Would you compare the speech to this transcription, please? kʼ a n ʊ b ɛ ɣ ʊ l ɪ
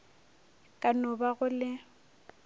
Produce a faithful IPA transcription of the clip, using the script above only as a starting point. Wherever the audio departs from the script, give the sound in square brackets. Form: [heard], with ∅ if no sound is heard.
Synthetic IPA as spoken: kʼ a n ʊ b [a] ɣ ʊ l ɪ